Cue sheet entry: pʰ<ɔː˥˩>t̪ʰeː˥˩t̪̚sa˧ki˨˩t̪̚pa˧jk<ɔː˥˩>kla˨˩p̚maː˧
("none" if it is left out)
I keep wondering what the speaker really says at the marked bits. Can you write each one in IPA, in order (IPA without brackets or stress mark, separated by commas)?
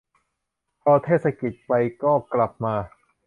ɔː˧, ɔː˥˩